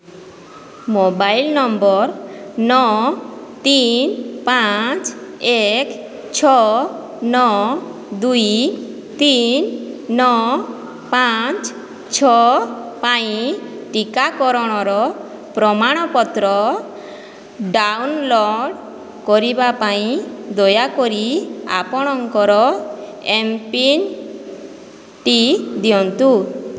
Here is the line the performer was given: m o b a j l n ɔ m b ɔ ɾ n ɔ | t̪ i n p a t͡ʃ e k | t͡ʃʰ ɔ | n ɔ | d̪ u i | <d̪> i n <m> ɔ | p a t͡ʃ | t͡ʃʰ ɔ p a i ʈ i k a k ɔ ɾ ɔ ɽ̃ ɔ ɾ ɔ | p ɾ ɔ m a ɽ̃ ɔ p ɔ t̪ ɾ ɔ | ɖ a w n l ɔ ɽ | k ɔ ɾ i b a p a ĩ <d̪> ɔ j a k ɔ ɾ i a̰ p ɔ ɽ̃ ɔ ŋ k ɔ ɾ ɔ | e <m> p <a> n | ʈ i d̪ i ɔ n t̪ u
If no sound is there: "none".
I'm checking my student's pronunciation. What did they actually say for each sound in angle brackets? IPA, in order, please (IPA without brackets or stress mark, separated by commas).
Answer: t̪, n, d̪, m, i